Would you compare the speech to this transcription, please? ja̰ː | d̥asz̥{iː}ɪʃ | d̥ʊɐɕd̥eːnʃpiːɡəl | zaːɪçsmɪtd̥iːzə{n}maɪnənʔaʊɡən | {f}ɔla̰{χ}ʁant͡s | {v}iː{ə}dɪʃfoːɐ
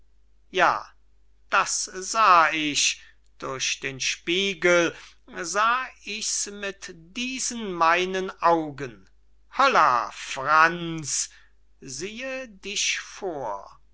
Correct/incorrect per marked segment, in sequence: incorrect: aː, correct, incorrect: h, incorrect: f, incorrect: z, correct

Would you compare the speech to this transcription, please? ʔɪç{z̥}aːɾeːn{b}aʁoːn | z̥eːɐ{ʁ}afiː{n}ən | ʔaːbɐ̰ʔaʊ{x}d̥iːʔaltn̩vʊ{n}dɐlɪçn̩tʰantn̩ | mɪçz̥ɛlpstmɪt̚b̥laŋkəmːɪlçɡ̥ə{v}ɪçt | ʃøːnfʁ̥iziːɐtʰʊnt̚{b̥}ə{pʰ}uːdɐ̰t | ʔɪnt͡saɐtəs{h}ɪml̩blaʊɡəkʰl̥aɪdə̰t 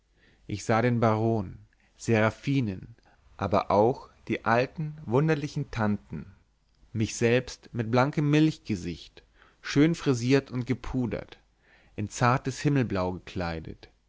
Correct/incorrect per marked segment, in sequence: correct, correct, correct, correct, correct, correct, incorrect: z, incorrect: ɡ̥, correct, correct

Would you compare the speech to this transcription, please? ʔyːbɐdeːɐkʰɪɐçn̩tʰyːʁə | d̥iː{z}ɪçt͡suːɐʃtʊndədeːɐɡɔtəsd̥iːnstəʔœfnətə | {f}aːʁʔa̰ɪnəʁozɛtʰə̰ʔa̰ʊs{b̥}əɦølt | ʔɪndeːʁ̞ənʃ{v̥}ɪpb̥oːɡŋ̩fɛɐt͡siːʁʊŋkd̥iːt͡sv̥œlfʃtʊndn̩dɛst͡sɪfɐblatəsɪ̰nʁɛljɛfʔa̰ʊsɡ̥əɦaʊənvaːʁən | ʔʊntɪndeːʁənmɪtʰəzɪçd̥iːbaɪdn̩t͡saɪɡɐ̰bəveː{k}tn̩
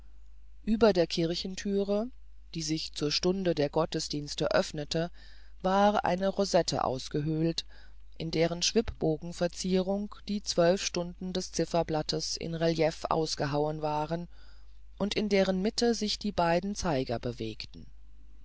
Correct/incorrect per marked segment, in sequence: correct, incorrect: v, incorrect: ɡ̥, correct, correct

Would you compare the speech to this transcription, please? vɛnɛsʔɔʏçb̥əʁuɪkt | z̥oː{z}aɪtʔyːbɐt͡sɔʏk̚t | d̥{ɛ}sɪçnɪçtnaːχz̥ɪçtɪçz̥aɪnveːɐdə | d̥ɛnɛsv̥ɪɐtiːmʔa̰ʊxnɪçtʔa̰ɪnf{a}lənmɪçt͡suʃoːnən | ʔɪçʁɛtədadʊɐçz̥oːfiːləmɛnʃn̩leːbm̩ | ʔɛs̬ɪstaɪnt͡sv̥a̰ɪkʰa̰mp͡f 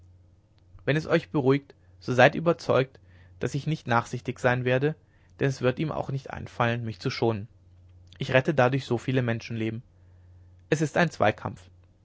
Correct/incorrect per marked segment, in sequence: correct, incorrect: a, correct

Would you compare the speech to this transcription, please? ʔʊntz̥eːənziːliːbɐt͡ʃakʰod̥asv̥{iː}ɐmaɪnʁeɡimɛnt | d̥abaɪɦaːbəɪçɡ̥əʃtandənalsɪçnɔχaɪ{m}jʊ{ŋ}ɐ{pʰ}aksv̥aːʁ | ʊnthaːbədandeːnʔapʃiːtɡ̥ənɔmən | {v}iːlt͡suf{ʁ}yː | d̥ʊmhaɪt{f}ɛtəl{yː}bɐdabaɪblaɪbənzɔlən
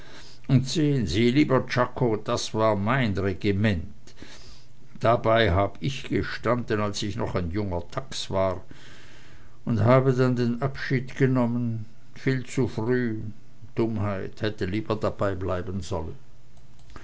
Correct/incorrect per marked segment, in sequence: incorrect: aː, incorrect: n, correct, incorrect: tʰ, incorrect: f, correct, incorrect: h, incorrect: iː

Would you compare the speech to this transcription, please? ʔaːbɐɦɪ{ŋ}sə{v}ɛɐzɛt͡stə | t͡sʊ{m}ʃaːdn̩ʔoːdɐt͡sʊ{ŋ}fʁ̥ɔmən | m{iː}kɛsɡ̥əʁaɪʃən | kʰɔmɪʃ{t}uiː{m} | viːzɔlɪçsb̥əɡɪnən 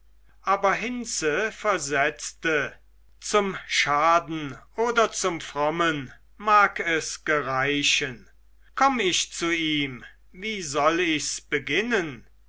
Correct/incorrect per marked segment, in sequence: incorrect: n, incorrect: f, correct, incorrect: m, incorrect: aː, incorrect: t͡s, correct

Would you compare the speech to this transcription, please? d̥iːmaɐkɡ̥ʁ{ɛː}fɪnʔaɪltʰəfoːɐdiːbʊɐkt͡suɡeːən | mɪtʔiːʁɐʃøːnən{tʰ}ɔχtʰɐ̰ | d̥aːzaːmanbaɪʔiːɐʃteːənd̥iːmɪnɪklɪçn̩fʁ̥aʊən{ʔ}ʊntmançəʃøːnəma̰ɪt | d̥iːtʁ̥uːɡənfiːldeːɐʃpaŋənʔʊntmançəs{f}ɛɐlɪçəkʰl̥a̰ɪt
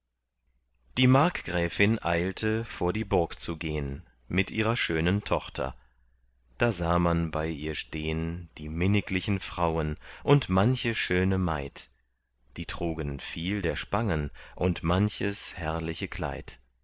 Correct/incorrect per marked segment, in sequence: correct, correct, correct, incorrect: h

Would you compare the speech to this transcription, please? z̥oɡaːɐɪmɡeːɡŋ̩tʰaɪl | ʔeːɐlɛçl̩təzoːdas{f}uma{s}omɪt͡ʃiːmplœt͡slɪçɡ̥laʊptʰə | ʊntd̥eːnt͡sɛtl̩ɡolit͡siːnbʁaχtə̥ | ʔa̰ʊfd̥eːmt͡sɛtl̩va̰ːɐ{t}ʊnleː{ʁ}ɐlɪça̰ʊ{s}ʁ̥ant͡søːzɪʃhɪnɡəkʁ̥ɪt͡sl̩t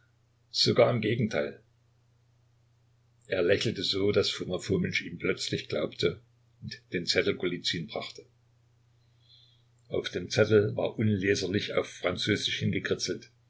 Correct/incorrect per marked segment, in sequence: correct, incorrect: f, incorrect: ʔ, incorrect: z, incorrect: f

